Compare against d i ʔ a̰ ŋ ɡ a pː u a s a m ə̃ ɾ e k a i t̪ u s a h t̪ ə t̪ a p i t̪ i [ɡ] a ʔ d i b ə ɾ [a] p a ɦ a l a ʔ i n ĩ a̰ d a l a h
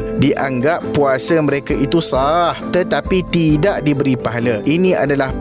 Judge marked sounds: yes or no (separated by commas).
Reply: no, no